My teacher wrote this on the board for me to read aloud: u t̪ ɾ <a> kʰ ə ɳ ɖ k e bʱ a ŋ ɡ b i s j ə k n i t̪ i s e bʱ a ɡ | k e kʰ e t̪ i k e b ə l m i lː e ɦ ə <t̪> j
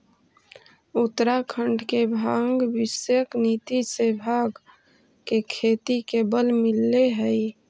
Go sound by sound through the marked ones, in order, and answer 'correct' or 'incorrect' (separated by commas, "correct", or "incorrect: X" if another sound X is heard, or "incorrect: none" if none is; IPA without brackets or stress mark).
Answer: correct, incorrect: none